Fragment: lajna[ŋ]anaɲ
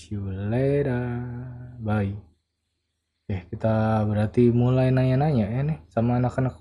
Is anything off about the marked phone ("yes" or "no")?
yes